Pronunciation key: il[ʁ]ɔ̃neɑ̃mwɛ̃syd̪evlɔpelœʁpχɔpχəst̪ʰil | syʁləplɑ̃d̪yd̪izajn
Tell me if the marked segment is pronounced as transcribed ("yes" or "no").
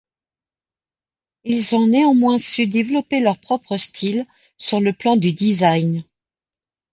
no